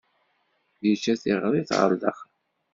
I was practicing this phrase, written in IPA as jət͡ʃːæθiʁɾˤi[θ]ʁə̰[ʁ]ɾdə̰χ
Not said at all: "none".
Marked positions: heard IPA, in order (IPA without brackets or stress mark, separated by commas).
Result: θ, none